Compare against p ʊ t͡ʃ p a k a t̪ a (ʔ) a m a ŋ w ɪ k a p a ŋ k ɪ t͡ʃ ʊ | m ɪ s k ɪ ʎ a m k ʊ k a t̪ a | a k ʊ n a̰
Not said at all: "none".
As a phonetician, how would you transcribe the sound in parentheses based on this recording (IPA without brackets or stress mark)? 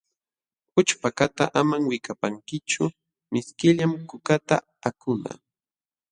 ʔ